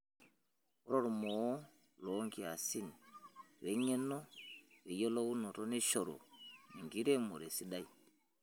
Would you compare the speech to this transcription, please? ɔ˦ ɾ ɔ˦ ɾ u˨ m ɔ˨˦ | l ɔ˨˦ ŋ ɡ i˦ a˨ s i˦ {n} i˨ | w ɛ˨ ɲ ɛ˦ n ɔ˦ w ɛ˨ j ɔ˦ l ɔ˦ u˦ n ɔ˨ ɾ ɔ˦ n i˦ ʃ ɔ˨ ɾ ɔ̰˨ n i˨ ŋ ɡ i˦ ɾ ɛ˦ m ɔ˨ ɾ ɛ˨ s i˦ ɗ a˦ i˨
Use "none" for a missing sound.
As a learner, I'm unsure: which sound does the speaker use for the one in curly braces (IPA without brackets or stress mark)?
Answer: n